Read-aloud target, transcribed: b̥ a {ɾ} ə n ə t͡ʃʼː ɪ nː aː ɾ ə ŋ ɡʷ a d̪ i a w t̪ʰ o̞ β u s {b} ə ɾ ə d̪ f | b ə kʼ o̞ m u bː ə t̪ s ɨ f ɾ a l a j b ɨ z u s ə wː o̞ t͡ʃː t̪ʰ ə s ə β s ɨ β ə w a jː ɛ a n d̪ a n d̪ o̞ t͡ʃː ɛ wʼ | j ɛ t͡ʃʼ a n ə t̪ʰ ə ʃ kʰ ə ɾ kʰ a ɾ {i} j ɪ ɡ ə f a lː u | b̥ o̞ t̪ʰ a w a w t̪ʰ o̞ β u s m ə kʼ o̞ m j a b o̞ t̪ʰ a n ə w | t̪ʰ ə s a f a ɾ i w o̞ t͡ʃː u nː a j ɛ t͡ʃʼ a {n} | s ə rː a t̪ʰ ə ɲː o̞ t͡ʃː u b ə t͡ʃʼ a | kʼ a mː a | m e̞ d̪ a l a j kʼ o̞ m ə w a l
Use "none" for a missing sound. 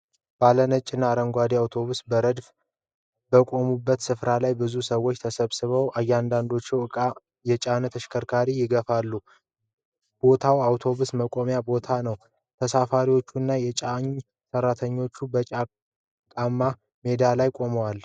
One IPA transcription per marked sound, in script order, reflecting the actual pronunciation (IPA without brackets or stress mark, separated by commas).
l, b, i, ɲ